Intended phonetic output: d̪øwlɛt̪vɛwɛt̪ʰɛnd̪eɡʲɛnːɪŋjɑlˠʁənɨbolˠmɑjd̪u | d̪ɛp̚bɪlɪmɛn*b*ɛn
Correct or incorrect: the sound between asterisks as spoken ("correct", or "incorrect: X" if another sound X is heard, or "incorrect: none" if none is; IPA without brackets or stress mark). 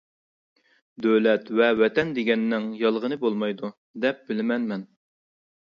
incorrect: m